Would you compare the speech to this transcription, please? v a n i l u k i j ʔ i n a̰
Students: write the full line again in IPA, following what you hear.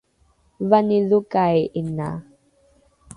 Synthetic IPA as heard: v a n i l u k a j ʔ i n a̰